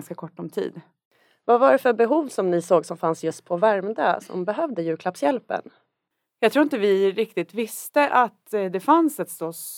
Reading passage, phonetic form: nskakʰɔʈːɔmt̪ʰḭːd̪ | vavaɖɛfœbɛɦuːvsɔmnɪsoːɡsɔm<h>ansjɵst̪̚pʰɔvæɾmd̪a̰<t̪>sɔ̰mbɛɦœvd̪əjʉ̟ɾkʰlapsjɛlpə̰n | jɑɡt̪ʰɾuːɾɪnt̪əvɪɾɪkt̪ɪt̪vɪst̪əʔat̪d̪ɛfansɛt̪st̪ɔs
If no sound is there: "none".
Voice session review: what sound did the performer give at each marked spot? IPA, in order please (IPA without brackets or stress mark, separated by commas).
f, none